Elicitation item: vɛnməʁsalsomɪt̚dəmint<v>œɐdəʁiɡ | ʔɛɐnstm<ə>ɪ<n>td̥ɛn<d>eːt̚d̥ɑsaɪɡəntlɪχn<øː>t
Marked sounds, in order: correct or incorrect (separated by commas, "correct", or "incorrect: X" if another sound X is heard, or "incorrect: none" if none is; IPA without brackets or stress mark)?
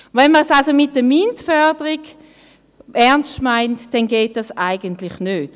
incorrect: f, incorrect: a, correct, incorrect: ɡ, correct